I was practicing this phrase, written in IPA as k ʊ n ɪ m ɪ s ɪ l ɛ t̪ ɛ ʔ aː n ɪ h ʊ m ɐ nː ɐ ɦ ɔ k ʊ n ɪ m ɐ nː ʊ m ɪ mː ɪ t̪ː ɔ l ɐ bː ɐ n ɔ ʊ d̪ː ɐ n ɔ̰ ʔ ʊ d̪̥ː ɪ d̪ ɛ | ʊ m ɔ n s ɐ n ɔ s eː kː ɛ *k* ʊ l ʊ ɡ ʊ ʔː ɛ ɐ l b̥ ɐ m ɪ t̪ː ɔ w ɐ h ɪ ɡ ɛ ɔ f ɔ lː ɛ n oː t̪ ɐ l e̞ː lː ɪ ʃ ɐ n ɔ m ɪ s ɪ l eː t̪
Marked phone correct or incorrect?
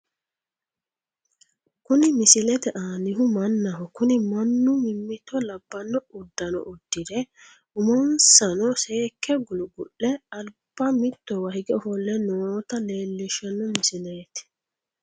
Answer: incorrect: ɡ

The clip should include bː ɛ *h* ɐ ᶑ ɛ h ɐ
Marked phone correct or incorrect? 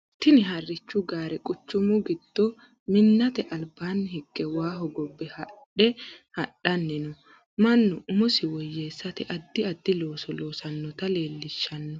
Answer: correct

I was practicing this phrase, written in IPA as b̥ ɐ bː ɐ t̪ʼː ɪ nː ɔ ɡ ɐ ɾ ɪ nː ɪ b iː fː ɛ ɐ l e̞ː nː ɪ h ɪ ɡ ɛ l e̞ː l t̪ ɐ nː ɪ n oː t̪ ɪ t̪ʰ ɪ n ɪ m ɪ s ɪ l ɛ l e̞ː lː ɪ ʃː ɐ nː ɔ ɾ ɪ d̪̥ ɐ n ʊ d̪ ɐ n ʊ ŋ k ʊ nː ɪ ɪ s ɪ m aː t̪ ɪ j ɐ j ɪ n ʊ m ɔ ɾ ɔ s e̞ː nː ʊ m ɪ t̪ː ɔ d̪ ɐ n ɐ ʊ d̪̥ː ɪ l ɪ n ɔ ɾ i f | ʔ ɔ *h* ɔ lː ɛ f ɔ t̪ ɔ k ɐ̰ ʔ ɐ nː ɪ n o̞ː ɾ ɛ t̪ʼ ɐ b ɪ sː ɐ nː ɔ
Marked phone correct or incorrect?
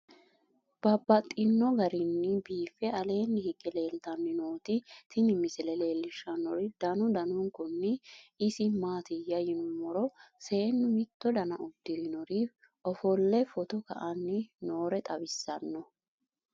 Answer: incorrect: f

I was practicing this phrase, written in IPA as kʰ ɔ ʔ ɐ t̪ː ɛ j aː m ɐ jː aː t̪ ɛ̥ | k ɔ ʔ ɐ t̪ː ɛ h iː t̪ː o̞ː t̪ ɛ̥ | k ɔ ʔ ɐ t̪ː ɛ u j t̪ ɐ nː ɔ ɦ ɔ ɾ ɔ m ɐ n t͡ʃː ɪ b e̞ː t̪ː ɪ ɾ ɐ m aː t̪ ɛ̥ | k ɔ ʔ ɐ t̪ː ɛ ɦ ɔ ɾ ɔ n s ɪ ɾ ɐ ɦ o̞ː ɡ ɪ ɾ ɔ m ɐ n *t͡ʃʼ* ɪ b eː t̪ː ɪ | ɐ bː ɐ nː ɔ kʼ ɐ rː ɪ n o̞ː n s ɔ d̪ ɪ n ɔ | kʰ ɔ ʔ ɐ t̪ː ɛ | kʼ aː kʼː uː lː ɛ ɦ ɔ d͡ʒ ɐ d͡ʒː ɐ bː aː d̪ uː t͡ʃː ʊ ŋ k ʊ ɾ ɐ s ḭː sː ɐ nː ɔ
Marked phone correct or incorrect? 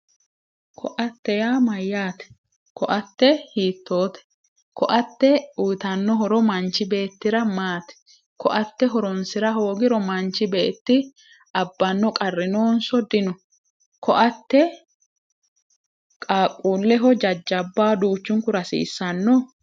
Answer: incorrect: t͡ʃ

